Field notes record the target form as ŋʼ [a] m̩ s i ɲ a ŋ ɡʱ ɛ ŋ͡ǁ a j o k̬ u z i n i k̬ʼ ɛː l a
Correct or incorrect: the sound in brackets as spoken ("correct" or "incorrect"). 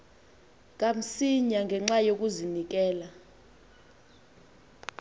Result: correct